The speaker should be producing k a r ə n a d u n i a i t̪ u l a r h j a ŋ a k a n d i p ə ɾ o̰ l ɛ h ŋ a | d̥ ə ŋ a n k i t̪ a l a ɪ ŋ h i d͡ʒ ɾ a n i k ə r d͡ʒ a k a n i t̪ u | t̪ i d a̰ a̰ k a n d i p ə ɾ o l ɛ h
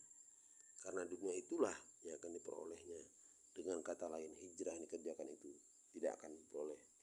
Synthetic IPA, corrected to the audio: k a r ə n a d u n i a i t̪ u l a h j a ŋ a k a n d i p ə ɾ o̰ l ɛ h ɲ a | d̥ ə ŋ a n k a t̪ a l a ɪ n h i d͡ʒ ɾ a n i k ə r d͡ʒ a k a n i t̪ u | t̪ i d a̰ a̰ k a n d i p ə ɾ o l ɛ h